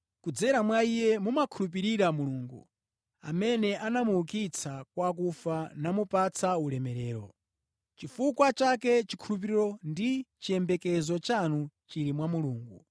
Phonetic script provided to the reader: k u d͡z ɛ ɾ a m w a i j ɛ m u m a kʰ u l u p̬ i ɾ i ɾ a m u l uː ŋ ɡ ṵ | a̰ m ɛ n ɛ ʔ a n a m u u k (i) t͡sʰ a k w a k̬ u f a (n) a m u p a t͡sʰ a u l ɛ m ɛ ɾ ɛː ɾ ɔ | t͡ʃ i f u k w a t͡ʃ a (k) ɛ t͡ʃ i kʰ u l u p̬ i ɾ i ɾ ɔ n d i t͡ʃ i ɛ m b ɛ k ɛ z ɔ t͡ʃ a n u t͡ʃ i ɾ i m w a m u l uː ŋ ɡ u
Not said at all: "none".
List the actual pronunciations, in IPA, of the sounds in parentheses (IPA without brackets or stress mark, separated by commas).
i, n, k